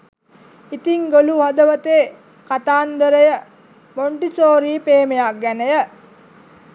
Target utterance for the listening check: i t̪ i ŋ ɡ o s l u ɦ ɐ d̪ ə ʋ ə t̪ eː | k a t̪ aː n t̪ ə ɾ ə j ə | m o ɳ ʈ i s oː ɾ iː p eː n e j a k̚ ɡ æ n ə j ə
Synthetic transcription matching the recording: i t̪ i ŋ ɡ o l u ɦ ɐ d̪ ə ʋ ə t̪ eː | k a t̪ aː n d̪ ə ɾ ə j ə | m o ɳ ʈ i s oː ɾ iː p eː m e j a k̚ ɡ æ n ə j ə